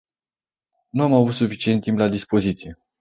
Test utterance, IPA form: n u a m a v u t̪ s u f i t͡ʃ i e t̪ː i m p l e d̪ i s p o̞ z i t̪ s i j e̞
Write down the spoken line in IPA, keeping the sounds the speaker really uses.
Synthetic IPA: n u a m a v u t̪ s u f i t͡ʃ i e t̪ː i m p l a d̪ i s p o̞ z i t̪ s i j e̞